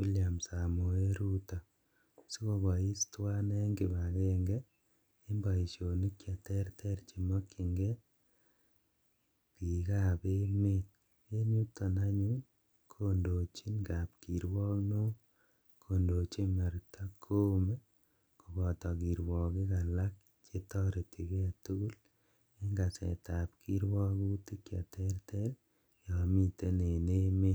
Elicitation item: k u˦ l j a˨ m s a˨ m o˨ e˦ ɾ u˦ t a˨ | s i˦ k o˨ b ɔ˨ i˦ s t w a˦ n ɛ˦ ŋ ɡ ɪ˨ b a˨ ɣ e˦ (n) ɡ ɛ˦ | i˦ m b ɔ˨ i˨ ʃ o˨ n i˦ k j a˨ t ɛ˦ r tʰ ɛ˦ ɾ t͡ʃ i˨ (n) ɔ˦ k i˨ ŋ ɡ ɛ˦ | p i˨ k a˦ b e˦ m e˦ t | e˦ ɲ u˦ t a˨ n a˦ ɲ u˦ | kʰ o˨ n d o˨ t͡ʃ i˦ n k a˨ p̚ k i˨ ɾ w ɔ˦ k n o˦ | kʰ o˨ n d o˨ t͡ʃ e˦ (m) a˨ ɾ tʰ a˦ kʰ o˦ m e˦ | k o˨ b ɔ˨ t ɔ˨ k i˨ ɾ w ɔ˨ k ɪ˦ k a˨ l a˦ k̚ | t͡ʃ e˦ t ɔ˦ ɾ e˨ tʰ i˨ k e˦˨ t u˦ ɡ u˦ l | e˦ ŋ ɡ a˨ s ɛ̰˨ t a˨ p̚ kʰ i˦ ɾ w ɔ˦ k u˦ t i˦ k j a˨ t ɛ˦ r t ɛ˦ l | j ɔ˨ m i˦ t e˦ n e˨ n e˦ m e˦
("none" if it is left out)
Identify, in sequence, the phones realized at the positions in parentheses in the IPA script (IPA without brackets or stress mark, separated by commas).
ŋ, m, m